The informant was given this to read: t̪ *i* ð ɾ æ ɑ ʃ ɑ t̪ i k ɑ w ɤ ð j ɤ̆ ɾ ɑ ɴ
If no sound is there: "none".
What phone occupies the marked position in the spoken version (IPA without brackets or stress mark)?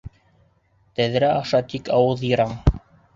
æ